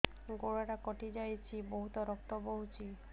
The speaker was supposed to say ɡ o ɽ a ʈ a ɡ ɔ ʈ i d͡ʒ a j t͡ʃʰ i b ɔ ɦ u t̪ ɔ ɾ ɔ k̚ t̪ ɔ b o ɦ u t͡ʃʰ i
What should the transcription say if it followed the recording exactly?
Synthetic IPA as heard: ɡ o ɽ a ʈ a k ɔ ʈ i d͡ʒ a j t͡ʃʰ i b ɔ ɦ u t̪ ɔ ɾ ɔ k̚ t̪ ɔ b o ɦ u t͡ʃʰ i

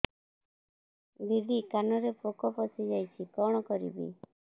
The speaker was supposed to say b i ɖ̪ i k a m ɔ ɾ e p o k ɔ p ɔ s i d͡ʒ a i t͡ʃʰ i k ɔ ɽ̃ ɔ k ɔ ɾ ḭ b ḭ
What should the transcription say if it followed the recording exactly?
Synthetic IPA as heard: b i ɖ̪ i k a n ɔ ɾ e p o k ɔ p ɔ s i d͡ʒ a j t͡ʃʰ i k ɔ ɽ̃ ɔ k ɔ ɾ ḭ b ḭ

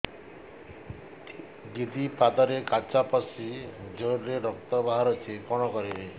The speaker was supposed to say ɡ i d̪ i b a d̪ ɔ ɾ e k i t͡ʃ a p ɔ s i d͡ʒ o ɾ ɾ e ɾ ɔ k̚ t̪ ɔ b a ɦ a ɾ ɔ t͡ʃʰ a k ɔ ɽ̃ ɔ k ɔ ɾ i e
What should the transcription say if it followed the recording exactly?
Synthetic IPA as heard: ɡ i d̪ i p a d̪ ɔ ɾ e k a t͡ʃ a p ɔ s i d͡ʒ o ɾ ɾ e ɾ ɔ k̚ t̪ ɔ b a ɦ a ɾ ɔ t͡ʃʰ i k ɔ ɽ̃ ɔ k ɔ ɾ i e

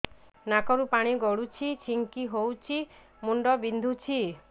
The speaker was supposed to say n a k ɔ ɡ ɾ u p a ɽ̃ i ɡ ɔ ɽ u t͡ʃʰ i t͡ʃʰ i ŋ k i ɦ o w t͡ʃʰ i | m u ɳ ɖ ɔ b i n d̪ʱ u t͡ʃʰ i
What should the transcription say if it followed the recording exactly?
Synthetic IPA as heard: n a k ɔ ɾ u p a ɽ̃ i ɡ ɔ ɽ u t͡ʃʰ i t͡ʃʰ i ŋ k i ɦ o w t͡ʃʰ i | m u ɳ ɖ ɔ b i n d̪ʱ u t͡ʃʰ i

